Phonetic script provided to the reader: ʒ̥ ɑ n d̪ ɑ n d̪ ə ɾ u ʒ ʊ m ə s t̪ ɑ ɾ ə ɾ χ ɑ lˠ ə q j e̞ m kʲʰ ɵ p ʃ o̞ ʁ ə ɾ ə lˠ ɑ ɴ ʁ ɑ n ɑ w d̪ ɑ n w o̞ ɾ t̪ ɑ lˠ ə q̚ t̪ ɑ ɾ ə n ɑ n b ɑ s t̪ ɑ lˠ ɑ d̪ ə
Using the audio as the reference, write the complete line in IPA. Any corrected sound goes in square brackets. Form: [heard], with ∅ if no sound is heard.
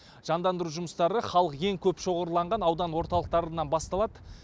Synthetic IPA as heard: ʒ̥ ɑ n d̪ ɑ n d̪ ə ɾ u ʒ ʊ m ə s t̪ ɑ ɾ ə [∅] χ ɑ lˠ ə q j e̞ [ŋ] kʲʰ ɵ p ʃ o̞ ʁ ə ɾ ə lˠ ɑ ɴ ʁ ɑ n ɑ w d̪ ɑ n w o̞ ɾ t̪ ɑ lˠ ə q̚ t̪ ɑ ɾ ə n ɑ n b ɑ s t̪ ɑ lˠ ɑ d̪ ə